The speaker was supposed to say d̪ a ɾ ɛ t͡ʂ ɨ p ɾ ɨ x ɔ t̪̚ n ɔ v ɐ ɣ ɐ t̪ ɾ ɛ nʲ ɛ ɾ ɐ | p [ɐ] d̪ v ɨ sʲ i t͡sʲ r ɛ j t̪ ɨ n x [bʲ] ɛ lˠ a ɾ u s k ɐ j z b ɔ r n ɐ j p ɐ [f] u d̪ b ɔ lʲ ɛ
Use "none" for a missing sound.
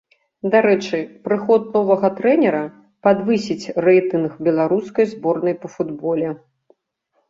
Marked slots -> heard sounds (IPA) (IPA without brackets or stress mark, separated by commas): a, bʲ, f